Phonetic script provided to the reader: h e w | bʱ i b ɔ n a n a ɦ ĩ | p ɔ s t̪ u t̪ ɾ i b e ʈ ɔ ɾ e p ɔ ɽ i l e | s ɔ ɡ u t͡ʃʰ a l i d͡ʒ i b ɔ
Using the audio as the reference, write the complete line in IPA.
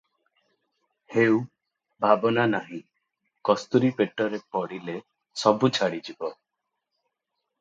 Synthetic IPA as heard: h e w | bʱ a b ɔ n a n a ɦ ĩ | k ɔ s t̪ u ɾ i p e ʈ ɔ ɾ e p ɔ ɽ i l e | s ɔ b u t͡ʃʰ a ɽ i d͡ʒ i b ɔ